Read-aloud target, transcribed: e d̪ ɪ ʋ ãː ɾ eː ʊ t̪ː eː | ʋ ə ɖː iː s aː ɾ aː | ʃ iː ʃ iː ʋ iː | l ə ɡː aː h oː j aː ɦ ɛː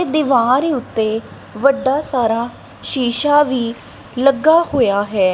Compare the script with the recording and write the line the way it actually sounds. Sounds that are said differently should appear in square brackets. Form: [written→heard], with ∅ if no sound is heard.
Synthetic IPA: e d̪ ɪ ʋ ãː ɾ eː ʊ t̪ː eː | ʋ ə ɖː [iː→aː] s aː ɾ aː | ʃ iː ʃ [iː→aː] ʋ iː | l ə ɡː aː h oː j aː ɦ ɛː